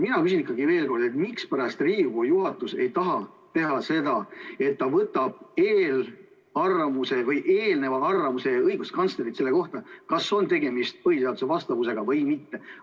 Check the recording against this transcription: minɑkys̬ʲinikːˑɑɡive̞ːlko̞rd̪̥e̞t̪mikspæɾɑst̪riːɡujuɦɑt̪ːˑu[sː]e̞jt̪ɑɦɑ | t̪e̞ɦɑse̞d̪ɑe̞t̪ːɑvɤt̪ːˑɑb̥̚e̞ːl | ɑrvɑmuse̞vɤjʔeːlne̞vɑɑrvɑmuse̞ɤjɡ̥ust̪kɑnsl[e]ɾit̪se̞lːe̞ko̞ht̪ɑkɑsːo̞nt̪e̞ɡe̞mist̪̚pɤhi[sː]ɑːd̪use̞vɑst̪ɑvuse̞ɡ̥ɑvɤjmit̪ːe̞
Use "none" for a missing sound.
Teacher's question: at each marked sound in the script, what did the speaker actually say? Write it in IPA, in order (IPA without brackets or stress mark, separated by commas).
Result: s, e, s